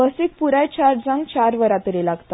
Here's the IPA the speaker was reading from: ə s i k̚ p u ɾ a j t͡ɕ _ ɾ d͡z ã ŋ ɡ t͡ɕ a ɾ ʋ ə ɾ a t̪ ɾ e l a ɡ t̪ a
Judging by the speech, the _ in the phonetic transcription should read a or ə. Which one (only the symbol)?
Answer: a